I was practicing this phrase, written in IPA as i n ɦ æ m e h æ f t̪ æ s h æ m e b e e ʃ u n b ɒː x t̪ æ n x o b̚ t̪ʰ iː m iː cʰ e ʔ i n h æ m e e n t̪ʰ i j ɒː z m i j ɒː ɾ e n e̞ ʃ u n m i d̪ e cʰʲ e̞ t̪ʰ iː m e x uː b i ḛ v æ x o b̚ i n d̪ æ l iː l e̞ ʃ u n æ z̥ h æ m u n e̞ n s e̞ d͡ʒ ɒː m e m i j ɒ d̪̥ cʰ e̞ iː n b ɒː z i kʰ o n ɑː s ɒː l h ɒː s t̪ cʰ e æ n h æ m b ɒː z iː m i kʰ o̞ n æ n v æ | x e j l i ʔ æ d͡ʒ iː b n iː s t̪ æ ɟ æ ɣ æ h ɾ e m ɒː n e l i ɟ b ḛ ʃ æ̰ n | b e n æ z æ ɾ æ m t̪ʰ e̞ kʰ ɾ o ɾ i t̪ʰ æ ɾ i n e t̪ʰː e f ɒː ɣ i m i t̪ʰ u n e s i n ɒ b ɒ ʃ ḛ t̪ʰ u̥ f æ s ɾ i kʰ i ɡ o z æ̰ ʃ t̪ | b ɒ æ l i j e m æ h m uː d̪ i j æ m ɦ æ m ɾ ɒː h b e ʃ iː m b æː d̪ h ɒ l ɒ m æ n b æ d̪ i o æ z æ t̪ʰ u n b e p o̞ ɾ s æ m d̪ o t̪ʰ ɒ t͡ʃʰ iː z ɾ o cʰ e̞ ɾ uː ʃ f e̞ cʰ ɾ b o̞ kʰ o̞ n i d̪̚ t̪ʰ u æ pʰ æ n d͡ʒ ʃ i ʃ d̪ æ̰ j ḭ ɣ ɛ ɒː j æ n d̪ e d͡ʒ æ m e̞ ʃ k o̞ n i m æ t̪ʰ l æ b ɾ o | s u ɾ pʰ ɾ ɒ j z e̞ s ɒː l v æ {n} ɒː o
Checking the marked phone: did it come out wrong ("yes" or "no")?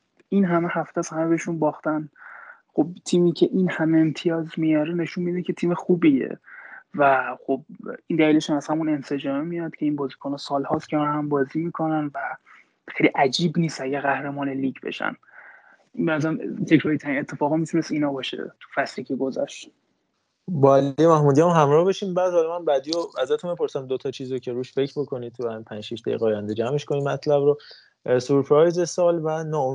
no